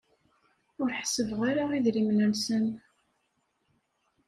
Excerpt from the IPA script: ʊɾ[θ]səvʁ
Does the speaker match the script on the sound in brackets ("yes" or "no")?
no